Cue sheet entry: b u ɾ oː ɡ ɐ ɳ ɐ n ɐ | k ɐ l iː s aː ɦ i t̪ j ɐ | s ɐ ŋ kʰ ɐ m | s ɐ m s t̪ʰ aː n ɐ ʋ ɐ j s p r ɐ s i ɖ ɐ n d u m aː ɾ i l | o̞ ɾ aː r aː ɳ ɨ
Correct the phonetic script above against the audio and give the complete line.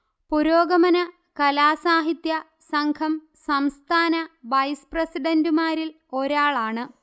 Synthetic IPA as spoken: p u ɾ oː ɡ ɐ m ɐ n ɐ | k ɐ l aː s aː ɦ i t̪ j ɐ | s ɐ ŋ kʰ ɐ m | s ɐ m s t̪ʰ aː n ɐ ʋ ɐ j s p r ɐ s i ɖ ɐ n d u m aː ɾ i l | o̞ ɾ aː ɭ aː ɳ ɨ